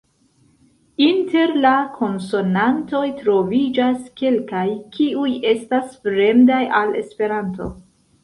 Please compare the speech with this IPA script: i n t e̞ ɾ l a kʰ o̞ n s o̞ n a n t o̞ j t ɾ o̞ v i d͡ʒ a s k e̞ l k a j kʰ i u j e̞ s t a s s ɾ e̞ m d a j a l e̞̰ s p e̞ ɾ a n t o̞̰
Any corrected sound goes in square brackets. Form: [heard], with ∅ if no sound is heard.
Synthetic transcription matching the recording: i n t e̞ ɾ l a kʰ o̞ n s o̞ n a n t o̞ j t ɾ o̞ v i d͡ʒ a s k e̞ l k a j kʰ i u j e̞ s t a s [f] ɾ e̞ m d a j a l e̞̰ s p e̞ ɾ a n t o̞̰